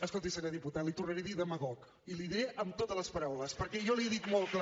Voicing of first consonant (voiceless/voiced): voiceless